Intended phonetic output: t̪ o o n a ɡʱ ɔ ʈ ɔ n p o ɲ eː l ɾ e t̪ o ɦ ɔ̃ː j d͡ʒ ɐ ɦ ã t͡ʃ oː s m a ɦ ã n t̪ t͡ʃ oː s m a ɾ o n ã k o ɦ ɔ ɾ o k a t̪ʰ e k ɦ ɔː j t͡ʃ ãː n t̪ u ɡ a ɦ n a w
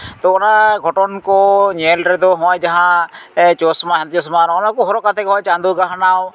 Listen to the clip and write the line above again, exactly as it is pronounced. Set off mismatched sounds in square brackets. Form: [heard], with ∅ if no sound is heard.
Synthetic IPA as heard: t̪ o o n a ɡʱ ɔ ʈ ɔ n [k] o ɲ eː l ɾ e [d̪] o ɦ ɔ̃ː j d͡ʒ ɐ ɦ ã t͡ʃ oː s m a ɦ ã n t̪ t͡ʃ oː s m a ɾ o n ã k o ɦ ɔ ɾ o k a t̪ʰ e k ɦ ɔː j t͡ʃ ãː n [d̪] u ɡ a ɦ n a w